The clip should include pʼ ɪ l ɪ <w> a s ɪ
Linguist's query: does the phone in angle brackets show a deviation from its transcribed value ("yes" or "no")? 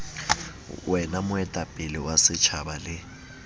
no